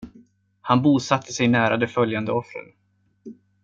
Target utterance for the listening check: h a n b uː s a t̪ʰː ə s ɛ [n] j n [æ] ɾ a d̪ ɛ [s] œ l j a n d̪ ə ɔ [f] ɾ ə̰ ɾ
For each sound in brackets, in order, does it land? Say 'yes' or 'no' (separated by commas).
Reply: no, no, no, yes